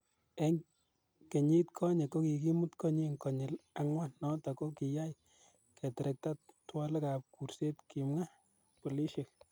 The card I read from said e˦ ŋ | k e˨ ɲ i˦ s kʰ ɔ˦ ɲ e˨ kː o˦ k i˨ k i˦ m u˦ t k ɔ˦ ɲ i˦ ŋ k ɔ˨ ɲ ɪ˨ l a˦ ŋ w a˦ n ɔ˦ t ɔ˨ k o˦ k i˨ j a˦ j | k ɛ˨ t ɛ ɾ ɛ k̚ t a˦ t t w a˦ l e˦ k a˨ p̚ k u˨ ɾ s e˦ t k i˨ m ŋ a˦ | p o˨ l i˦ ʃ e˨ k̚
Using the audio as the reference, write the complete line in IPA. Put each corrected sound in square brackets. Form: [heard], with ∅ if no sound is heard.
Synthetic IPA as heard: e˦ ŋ | k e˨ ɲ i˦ [t] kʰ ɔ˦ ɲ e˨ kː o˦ k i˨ k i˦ m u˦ t k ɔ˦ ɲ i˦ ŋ k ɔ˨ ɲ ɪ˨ l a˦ ŋ w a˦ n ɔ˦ t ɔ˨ k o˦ k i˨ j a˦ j | k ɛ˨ t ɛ ɾ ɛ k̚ t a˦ t t w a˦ l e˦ k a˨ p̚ k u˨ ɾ s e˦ t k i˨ m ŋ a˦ | p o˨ l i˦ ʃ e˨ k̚

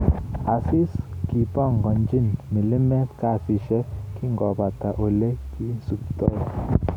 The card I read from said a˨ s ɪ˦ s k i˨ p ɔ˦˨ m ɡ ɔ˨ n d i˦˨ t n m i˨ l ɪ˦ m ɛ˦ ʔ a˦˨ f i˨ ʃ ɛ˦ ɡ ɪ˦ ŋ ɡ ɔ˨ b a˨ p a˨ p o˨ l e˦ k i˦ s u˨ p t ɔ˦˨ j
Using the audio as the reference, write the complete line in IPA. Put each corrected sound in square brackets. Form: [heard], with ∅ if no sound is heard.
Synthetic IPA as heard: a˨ s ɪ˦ s k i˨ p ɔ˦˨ [ŋ] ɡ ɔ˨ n [d͡ʒ] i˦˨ [∅] n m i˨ l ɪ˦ m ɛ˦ [k] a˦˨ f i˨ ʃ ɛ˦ [k] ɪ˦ ŋ ɡ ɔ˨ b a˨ [t] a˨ [ʔ] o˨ l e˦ k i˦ s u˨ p t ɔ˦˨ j

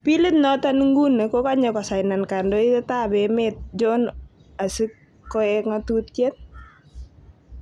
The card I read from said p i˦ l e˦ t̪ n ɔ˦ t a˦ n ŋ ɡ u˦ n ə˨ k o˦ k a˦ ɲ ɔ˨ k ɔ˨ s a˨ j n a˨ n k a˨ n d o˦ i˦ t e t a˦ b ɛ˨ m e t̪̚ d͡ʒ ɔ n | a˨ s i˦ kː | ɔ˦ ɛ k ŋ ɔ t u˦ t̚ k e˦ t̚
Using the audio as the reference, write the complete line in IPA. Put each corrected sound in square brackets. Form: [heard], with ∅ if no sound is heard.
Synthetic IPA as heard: p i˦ l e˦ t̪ n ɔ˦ t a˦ n ŋ ɡ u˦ n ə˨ k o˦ k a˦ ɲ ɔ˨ k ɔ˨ s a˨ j n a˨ n k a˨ n d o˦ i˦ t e t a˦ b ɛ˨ m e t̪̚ d͡ʒ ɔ n | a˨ s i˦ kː | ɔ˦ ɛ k ŋ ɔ t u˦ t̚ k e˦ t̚

